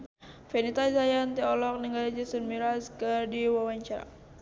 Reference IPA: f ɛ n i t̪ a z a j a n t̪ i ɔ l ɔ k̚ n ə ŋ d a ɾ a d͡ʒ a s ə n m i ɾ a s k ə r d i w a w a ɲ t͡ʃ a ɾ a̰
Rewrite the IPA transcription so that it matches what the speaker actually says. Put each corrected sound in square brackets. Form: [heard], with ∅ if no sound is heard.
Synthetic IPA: f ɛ n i t̪ a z a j a n t̪ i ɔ l ɔ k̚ n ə ŋ [ɡ] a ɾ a d͡ʒ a s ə n m i ɾ a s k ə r d i w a w a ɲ t͡ʃ a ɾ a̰